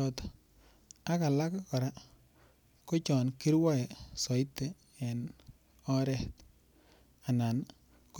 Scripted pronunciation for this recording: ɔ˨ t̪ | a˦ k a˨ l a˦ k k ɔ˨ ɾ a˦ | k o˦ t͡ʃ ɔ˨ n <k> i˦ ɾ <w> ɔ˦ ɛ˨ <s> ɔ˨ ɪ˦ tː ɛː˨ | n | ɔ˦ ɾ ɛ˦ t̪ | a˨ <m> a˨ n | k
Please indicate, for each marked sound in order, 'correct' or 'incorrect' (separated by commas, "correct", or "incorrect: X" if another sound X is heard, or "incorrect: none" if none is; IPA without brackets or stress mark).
correct, correct, correct, incorrect: n